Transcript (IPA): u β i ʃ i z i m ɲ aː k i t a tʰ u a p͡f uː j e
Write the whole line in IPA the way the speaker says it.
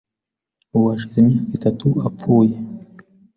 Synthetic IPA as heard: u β a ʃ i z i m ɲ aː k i t a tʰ u a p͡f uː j e